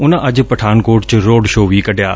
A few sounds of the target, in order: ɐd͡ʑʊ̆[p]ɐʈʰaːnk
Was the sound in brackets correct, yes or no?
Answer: yes